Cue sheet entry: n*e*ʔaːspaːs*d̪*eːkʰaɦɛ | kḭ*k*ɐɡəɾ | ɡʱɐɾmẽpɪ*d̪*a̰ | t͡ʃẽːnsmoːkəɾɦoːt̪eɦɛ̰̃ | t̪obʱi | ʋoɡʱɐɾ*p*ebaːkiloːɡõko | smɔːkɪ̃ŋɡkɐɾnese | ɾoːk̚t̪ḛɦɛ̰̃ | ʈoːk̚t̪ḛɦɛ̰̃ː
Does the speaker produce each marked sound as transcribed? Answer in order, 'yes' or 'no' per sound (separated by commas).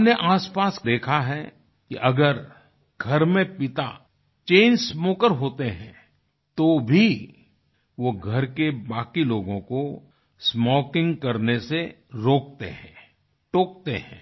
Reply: yes, yes, no, no, no